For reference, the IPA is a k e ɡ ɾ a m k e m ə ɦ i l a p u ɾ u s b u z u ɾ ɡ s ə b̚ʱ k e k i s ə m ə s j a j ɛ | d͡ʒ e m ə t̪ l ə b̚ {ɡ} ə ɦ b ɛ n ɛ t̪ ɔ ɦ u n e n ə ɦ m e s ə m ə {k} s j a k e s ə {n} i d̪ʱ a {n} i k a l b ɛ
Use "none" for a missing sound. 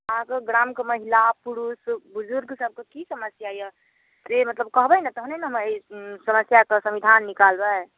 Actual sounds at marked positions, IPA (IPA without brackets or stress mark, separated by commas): k, none, m, nː